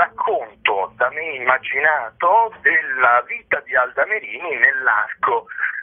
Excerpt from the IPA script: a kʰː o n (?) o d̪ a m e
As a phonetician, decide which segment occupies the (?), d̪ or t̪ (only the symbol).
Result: t̪